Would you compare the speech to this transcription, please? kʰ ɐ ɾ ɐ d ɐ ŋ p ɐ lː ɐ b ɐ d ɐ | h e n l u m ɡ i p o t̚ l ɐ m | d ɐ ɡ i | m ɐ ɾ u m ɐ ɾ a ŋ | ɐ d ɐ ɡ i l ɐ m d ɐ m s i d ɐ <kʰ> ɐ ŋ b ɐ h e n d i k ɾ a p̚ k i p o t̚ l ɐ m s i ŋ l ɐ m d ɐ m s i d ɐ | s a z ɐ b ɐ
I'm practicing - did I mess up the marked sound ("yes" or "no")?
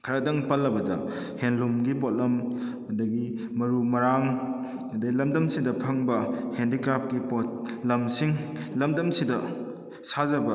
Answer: yes